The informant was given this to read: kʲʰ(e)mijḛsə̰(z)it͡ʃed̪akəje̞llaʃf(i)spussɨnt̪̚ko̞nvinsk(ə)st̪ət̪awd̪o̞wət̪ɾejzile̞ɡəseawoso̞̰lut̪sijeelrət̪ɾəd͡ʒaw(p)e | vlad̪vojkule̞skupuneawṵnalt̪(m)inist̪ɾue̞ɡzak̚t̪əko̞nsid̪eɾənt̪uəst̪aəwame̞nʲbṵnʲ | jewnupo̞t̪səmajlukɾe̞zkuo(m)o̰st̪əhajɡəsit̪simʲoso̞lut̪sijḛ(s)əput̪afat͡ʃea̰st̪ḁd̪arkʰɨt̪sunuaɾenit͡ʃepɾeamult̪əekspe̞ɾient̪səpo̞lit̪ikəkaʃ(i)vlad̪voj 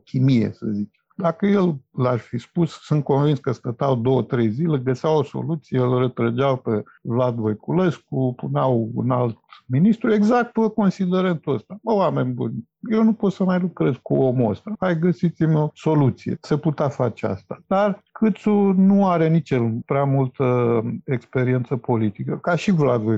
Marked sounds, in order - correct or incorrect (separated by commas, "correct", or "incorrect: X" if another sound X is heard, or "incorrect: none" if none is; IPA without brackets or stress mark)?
incorrect: i, correct, correct, correct, correct, correct, correct, correct, correct